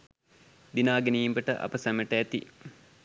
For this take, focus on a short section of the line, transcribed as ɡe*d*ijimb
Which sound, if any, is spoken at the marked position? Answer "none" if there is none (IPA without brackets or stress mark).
n